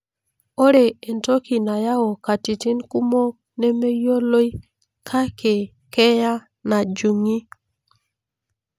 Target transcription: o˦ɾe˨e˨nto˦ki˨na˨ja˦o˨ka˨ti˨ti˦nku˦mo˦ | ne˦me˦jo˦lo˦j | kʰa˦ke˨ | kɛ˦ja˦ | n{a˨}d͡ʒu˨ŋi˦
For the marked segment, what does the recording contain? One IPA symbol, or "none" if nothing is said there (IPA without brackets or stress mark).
a˨